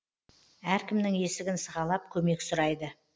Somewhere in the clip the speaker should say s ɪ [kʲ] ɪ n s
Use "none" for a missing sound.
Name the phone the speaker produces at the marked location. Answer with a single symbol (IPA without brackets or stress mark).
ɡʲ